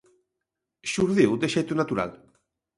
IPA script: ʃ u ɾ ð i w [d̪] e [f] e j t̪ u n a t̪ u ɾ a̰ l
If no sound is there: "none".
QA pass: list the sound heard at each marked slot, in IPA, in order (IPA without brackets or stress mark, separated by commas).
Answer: d̪, ʃ